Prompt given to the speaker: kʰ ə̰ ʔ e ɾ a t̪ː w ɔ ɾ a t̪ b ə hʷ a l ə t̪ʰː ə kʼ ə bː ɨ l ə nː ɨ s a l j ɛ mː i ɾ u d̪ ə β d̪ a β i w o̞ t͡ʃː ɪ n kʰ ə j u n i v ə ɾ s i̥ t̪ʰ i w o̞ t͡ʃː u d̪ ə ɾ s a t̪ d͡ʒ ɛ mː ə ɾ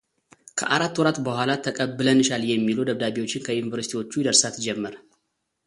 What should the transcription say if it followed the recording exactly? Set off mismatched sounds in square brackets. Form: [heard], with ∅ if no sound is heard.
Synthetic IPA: kʰ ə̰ ʔ [a] ɾ a t̪ː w ɔ ɾ a t̪ b ə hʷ a l [a] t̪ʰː ə kʼ ə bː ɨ l ə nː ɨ [ʃ] a l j ɛ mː i [l] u d̪ ə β d̪ a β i w o̞ t͡ʃː ɪ n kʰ ə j u n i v ə ɾ s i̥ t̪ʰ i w o̞ t͡ʃː u d̪ ə ɾ s a t̪ d͡ʒ ɛ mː ə ɾ